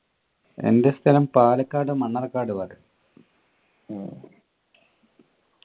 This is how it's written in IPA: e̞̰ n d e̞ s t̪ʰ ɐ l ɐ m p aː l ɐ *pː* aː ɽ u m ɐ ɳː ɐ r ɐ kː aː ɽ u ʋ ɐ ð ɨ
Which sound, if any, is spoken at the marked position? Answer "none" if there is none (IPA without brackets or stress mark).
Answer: kː